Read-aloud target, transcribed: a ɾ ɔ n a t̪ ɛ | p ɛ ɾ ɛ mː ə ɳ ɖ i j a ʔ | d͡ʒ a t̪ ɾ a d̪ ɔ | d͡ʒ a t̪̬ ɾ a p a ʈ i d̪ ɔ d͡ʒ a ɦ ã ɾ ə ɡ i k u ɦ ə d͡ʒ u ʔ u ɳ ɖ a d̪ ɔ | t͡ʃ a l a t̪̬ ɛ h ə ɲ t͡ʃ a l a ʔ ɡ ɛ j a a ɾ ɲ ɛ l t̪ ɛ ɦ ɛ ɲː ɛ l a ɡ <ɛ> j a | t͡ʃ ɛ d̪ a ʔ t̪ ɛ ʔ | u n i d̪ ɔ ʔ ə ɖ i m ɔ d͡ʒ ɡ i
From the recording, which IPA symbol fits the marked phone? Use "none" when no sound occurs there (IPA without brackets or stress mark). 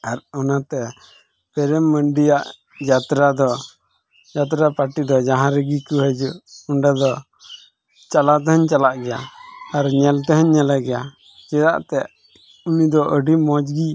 ɛ